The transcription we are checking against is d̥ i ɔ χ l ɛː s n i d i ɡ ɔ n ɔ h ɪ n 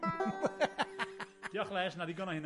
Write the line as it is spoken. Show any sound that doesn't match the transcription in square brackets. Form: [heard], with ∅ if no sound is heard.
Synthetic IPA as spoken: d̥ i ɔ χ l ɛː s n [a] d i ɡ ɔ n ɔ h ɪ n